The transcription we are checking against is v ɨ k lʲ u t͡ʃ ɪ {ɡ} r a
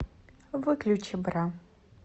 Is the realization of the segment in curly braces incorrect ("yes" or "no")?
yes